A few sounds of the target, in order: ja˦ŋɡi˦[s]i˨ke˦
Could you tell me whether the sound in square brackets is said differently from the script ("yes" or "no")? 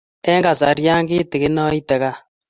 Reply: yes